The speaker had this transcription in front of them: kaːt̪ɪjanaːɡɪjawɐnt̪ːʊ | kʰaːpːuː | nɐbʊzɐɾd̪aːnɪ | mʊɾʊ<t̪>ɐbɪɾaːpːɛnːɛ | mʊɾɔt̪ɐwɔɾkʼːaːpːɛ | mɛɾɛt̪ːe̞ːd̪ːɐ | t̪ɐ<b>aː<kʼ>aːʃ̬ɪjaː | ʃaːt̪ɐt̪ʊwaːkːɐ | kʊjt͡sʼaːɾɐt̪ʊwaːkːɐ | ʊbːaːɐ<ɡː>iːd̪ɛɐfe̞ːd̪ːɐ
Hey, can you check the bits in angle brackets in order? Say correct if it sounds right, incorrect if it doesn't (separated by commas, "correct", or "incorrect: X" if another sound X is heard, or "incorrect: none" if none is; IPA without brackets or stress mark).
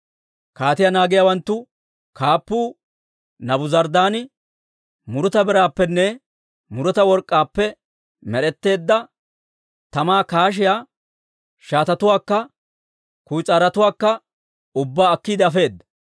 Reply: correct, incorrect: m, incorrect: k, incorrect: kː